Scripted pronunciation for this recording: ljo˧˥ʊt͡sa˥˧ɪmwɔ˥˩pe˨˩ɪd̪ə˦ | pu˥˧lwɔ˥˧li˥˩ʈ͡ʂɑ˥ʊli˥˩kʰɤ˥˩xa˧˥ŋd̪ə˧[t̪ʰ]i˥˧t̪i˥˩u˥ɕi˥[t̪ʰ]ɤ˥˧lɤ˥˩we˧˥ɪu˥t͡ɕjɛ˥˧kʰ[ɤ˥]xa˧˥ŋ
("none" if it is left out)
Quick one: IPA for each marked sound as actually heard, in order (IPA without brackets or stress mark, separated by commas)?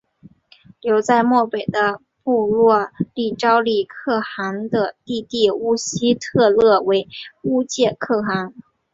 t̪, t̪ʰ, ɤ˥˩